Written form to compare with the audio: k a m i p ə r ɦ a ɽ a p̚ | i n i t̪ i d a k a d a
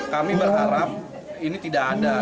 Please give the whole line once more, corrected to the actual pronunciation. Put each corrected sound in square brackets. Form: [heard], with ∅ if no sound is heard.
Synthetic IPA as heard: k a m i [b] ə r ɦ a [ɾ] a p̚ | i n i t̪ i d a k a d a